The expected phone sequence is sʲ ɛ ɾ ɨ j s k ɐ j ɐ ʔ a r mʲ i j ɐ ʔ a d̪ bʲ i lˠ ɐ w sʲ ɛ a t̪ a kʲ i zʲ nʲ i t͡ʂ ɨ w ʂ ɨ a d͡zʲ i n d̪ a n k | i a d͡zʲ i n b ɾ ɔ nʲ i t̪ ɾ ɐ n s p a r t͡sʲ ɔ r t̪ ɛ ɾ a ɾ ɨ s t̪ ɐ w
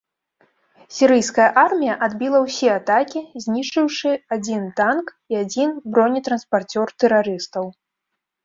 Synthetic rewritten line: sʲ i ɾ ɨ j s k ɐ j ɐ ʔ a r mʲ i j ɐ ʔ a d̪ bʲ i lˠ ɐ w sʲ ɛ a t̪ a kʲ i zʲ nʲ i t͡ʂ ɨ w ʂ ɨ a d͡zʲ i n t̪ a n k | i a d͡zʲ i n b ɾ ɔ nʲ i t̪ ɾ ɐ n s p a r t͡sʲ ɔ r t̪ ɛ ɾ a ɾ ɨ s t̪ ɐ w